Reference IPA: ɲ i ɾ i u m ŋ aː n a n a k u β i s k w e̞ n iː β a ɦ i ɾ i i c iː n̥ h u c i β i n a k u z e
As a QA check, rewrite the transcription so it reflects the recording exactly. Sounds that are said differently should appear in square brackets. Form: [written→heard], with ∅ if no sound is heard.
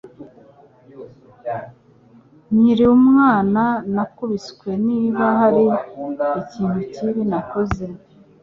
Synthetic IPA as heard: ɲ i ɾ i u m ŋ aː n a n a k u β i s k w e̞ n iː β a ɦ [i→a] ɾ i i c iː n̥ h u c i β i n a k [u→o] z e

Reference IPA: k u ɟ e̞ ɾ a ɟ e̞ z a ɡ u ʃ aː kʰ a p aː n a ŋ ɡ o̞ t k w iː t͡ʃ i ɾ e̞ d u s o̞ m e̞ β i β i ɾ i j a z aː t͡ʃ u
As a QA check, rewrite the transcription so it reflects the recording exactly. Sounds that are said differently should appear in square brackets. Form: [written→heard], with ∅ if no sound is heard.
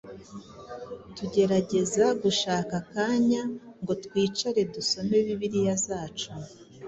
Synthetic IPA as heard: [k→t] u ɟ e̞ ɾ a ɟ e̞ z a ɡ u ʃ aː [kʰ→k] a [p→k] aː [n→ɲ] a ŋ ɡ o̞ t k w iː t͡ʃ [i→a] ɾ e̞ d u s o̞ m e̞ β i β i ɾ i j a z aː t͡ʃ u

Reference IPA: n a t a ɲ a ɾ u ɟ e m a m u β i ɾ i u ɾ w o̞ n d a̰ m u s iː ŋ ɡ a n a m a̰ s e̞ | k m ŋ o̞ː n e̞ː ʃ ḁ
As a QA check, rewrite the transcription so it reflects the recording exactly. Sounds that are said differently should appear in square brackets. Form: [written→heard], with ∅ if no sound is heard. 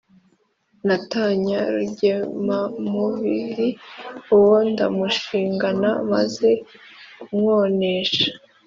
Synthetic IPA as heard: n a t a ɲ a ɾ u ɟ e m a m u β i ɾ i u [ɾ→∅] w o̞ n d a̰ m u [s→ʃ] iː ŋ ɡ a n a m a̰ [s→z] e̞ | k m ŋ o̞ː n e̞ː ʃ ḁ

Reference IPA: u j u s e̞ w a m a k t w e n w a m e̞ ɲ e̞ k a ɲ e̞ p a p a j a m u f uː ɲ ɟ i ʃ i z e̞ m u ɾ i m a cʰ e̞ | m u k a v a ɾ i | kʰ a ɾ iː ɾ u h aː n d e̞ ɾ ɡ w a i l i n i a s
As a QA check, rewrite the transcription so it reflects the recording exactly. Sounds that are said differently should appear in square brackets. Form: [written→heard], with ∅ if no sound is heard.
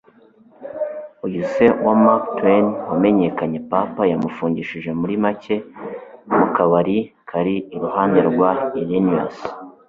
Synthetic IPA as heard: u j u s e̞ w a m a k t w e n w a m e̞ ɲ e̞ k a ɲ e̞ p a p a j a m u f uː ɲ ɟ i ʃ i [z→ʒ] e̞ m u ɾ i m a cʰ e̞ | m u k a [v→β] a ɾ i | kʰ a ɾ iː ɾ u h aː n d e̞ ɾ ɡ w a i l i n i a s

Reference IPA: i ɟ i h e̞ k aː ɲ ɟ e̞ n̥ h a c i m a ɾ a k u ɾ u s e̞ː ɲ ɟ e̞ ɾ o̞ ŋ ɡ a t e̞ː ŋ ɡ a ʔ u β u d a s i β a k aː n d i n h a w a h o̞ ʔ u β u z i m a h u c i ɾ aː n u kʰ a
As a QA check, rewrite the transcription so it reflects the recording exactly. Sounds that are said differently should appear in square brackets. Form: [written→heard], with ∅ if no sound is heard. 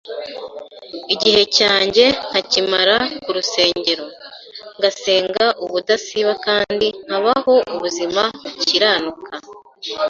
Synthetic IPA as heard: i ɟ i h e̞ [k→c] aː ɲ ɟ e̞ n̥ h a c i m a ɾ a k u ɾ u s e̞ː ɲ ɟ e̞ ɾ o̞ ŋ ɡ a [t→s] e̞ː ŋ ɡ a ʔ u β u d a s i β a k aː n d i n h a [w→β] a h o̞ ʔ u β u z i m a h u c i ɾ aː n u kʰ a

